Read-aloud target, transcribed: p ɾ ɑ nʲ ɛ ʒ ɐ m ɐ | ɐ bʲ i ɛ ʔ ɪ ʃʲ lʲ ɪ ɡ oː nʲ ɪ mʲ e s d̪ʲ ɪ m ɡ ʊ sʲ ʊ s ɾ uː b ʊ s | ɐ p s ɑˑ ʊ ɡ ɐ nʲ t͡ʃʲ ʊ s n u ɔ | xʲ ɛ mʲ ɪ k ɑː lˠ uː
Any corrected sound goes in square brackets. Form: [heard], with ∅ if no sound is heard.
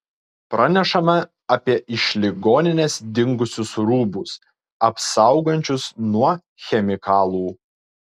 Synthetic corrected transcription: p ɾ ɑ nʲ ɛ [ʃ] ɐ m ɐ | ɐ [pʲ] i ɛ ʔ ɪ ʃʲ lʲ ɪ ɡ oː nʲ ɪ [nʲ] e s d̪ʲ ɪ [ŋ] ɡ ʊ sʲ ʊ s ɾ uː b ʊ s | ɐ p s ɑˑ ʊ ɡ ɐ nʲ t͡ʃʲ ʊ s n u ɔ | xʲ ɛ mʲ ɪ k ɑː lˠ uː

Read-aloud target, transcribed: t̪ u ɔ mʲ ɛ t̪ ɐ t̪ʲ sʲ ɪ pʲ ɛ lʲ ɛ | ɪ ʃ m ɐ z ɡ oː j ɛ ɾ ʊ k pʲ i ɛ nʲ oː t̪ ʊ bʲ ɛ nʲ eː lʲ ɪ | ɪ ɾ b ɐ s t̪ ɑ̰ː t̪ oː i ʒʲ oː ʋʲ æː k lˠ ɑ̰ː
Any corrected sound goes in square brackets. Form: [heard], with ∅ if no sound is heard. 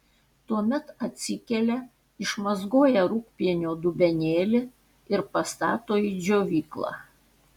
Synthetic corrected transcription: t̪ u ɔ mʲ ɛ t̪ ɐ t̪ʲ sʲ ɪ [kʲ] ɛ lʲ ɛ | ɪ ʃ m ɐ z ɡ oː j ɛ ɾ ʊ k pʲ i ɛ nʲ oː [d̪] ʊ bʲ ɛ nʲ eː lʲ ɪ | ɪ ɾ [p] ɐ s t̪ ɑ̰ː t̪ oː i [d͡ʒʲ] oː ʋʲ [iː] k lˠ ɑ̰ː

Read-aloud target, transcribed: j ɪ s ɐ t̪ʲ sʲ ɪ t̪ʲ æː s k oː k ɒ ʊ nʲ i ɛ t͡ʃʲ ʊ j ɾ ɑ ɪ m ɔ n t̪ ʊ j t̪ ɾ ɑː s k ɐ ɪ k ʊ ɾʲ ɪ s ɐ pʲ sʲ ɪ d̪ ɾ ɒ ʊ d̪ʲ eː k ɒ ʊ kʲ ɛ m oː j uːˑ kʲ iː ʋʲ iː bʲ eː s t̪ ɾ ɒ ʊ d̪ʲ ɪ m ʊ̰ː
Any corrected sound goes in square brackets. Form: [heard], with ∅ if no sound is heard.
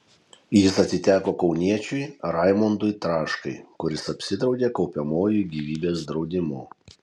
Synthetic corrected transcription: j ɪ s ɐ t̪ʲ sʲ ɪ t̪ʲ æː [∅] k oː k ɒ ʊ nʲ i ɛ t͡ʃʲ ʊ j ɾ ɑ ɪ m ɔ n [d̪] ʊ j t̪ ɾ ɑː [ʃ] k ɐ ɪ k ʊ ɾʲ ɪ s ɐ pʲ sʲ ɪ d̪ ɾ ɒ ʊ d̪ʲ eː k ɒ ʊ [pʲ] ɛ m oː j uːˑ [ɡʲ] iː ʋʲ iː bʲ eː s [d̪] ɾ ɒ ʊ d̪ʲ ɪ m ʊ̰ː

